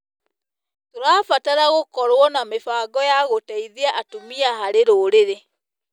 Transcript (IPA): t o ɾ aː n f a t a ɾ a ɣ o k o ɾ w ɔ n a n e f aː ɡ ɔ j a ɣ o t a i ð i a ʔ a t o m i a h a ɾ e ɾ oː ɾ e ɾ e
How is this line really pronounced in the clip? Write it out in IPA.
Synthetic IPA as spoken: t o ɾ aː f a t a ɾ a ɣ o k ɔ ɾ w ɔ n a m e f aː ɡ ɔ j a ɣ o t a i ð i a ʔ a t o m i a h a ɾ e ɾ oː ɾ e ɾ e